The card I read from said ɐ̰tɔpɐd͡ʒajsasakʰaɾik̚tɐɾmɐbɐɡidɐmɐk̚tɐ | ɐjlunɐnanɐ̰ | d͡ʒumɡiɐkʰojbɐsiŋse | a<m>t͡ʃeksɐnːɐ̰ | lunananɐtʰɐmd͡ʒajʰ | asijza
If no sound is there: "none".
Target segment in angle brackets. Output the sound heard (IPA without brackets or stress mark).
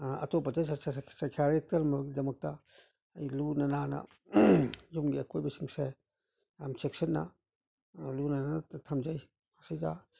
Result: m